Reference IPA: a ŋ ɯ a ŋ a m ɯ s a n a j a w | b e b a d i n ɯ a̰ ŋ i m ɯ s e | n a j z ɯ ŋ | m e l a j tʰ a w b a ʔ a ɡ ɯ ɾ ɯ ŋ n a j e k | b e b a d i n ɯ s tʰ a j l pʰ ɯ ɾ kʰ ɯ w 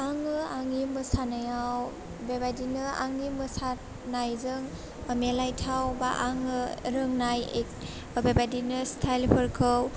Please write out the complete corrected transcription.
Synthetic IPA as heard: a ŋ ɯ a ŋ i m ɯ s a n a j a w | b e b a d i n ɯ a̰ ŋ i m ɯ s a | n a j z ɯ ŋ | m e l a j tʰ a w b a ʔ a ŋ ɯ ɾ ɯ ŋ n a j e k | b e b a d i n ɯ s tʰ a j l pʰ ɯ ɾ kʰ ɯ w